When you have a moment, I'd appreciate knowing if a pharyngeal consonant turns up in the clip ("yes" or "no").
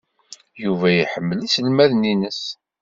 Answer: yes